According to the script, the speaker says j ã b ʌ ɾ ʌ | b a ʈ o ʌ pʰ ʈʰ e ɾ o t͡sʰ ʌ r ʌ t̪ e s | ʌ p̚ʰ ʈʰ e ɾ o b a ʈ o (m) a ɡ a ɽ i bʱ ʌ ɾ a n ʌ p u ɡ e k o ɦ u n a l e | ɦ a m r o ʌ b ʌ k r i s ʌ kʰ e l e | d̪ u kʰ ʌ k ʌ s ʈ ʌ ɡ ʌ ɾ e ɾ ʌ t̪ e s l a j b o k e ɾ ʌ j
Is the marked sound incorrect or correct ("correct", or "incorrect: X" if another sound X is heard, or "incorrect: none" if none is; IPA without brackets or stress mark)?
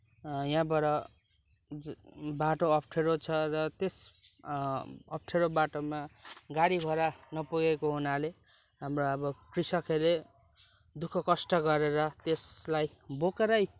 correct